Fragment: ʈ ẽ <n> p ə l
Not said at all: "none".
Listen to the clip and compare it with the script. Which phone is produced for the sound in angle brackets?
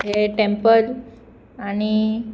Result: m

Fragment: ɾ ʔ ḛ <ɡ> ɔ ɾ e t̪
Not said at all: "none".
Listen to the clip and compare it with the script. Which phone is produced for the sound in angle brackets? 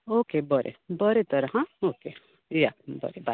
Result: b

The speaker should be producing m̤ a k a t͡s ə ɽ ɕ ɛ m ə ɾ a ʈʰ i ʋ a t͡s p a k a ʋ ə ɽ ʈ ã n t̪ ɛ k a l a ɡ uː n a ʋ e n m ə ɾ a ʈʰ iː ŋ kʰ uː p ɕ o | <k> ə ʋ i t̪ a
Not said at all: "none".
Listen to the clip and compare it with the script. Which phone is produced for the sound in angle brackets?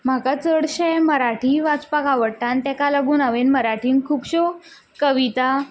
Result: k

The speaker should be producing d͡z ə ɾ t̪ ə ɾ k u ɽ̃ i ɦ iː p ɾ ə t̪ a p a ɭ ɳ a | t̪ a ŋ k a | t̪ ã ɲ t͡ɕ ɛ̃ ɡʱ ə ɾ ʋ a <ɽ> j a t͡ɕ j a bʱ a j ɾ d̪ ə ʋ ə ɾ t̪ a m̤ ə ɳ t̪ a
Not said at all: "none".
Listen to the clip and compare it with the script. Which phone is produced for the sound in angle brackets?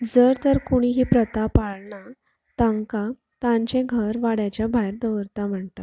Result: ɽ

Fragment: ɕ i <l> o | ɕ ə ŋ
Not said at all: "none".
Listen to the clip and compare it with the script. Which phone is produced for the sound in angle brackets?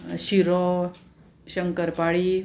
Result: ɾ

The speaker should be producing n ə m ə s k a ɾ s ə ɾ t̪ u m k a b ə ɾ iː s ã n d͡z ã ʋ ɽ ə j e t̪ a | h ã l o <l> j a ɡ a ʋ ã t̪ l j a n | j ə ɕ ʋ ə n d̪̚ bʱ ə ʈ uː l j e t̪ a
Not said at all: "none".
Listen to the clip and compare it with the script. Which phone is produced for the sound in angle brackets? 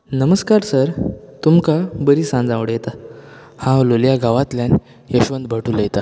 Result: l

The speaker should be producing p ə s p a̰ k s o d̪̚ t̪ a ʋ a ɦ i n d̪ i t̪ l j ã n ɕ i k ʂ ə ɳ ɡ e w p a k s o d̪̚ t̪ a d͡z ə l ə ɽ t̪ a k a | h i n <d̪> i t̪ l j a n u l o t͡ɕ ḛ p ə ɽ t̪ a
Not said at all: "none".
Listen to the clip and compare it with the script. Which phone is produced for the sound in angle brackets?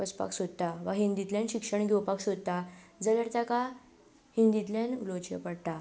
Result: d̪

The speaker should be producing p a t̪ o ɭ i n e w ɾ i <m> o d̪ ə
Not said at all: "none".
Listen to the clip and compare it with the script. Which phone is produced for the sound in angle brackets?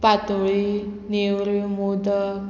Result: m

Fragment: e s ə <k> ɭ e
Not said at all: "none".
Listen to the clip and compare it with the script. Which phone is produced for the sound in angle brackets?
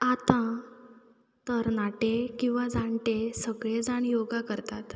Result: ɡ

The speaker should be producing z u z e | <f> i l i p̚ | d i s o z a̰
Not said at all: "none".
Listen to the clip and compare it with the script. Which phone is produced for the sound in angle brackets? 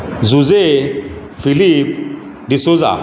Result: f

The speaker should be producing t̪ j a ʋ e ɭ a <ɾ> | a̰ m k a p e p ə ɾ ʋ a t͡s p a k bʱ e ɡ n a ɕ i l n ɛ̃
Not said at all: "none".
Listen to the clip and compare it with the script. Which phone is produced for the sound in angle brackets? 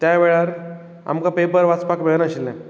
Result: ɾ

